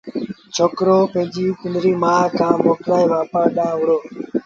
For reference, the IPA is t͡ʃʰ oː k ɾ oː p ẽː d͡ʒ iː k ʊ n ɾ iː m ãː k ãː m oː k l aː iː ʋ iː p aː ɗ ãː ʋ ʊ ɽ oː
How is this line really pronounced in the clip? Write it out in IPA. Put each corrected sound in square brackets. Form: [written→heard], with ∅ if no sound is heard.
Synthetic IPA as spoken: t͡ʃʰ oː k ɾ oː p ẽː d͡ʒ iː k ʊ n ɾ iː m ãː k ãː m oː k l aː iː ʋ [iː→aː] p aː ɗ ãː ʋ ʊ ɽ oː